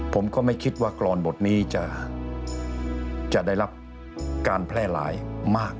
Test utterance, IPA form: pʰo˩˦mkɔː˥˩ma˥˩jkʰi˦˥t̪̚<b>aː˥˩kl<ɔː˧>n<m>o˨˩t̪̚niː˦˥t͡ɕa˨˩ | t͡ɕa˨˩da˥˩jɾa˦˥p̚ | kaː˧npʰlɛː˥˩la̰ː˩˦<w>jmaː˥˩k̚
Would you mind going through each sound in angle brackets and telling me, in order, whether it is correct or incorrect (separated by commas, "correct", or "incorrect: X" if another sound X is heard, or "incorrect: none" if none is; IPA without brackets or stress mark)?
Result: incorrect: w, correct, incorrect: b, incorrect: none